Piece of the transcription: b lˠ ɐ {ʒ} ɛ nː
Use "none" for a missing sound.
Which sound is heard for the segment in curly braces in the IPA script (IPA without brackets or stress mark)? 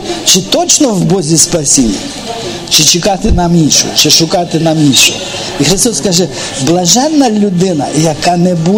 ʒ